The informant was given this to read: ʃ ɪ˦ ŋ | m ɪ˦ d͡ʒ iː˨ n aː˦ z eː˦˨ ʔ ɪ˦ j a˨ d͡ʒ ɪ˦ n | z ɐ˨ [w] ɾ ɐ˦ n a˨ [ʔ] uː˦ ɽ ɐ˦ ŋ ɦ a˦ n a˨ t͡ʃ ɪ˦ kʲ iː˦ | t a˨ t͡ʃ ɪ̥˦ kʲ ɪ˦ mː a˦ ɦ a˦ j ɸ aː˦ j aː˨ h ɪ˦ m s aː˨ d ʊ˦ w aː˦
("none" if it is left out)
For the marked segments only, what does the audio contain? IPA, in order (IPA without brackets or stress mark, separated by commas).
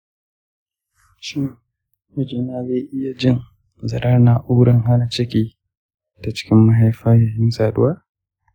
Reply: none, ʔ